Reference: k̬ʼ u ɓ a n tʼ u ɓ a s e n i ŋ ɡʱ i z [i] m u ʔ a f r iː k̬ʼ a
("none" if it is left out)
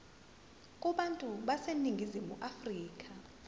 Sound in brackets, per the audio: i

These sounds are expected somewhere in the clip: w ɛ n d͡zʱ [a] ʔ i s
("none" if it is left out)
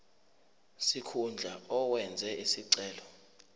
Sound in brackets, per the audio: ɛ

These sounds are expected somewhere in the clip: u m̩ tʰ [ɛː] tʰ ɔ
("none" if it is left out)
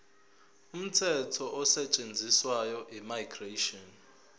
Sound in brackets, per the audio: ɛ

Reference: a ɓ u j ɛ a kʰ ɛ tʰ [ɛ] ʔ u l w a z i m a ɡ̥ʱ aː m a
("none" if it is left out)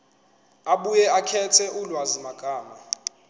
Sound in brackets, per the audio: ɛ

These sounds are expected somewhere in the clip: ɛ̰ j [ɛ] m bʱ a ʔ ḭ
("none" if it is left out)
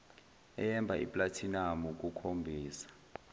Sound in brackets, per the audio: ɛ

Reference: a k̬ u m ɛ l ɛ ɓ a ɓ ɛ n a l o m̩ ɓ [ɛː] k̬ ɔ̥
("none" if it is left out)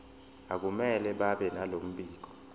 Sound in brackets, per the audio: iː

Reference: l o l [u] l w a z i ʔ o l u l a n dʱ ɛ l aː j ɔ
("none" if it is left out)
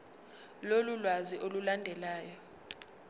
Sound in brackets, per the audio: u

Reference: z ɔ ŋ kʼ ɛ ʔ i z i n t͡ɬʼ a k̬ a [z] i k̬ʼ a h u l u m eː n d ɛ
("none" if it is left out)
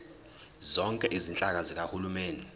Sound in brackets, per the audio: z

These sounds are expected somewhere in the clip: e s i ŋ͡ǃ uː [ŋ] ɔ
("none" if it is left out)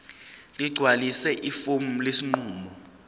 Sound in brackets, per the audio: m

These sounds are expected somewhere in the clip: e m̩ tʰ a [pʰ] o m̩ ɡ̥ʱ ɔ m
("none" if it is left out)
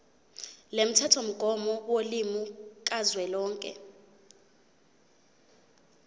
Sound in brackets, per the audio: tʰ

